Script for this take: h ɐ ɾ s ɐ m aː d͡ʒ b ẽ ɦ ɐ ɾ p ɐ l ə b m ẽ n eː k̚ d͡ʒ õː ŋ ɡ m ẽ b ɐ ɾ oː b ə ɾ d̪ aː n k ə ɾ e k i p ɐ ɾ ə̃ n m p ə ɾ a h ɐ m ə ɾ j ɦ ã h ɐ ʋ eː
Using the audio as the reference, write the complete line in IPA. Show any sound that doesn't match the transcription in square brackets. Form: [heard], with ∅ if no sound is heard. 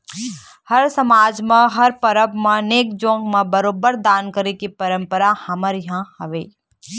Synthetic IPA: h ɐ ɾ s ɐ m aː d͡ʒ [m] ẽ ɦ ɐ ɾ p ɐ [ɾ] ə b m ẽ n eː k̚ d͡ʒ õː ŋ ɡ m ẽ b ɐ ɾ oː b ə ɾ d̪ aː n k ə ɾ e k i p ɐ ɾ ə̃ [∅] m p ə ɾ a h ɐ m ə ɾ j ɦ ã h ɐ ʋ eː